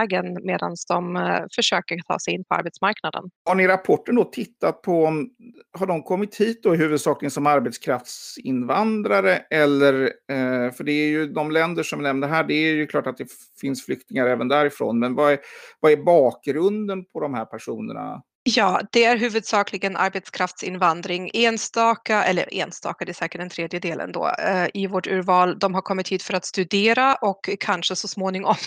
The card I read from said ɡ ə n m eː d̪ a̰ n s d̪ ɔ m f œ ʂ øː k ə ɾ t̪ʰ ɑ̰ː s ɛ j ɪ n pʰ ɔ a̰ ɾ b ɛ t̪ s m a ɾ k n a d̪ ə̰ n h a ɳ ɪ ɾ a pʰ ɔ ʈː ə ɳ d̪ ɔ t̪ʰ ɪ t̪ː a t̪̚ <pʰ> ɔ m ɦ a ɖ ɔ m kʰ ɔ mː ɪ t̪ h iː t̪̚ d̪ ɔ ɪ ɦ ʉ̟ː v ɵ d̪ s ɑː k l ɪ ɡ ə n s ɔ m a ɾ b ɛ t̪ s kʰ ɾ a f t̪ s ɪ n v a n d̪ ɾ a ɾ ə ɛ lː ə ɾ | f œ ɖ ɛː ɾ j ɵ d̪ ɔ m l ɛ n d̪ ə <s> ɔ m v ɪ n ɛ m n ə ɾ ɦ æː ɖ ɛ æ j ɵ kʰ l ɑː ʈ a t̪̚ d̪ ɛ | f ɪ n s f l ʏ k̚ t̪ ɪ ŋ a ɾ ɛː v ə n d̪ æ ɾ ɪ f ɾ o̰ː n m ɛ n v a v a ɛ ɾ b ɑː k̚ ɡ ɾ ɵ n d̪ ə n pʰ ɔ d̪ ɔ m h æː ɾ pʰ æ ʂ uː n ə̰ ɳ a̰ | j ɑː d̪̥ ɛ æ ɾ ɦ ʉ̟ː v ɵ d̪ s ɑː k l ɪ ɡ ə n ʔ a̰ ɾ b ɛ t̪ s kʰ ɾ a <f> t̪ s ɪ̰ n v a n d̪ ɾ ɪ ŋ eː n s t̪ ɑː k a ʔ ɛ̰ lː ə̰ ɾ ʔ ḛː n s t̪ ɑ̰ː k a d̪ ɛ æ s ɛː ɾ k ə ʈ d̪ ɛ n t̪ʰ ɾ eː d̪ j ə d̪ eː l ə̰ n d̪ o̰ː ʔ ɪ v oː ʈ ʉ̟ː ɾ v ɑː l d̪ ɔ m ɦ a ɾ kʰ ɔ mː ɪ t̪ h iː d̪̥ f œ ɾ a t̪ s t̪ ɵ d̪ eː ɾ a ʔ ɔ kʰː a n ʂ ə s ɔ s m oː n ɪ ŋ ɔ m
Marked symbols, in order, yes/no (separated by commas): yes, no, yes